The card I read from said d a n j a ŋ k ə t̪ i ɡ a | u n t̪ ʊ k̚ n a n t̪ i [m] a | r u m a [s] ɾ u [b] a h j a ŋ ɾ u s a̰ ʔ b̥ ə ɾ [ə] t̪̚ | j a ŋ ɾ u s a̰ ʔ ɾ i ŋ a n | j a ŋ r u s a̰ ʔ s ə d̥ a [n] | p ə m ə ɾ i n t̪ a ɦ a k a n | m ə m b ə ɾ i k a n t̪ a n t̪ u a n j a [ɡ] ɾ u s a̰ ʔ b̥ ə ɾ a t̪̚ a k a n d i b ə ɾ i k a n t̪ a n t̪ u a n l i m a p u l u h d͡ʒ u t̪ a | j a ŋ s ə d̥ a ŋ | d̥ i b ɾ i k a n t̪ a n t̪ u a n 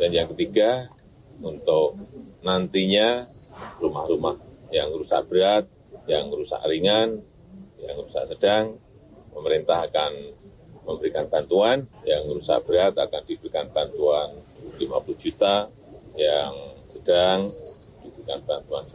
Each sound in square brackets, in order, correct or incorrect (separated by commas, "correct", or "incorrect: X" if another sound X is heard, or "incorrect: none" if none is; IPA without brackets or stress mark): incorrect: ɲ, incorrect: h, incorrect: m, incorrect: a, incorrect: ŋ, incorrect: ŋ